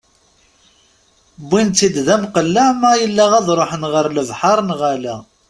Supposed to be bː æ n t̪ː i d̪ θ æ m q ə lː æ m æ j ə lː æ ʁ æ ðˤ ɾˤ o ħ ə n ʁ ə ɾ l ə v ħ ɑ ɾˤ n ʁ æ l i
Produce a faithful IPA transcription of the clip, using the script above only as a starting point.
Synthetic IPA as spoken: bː i n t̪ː i d̪ ð æ m q ə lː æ m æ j ə lː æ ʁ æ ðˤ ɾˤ o ħ ə n ʁ ə ɾ l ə v ħ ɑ ɾˤ n ʁ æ l æ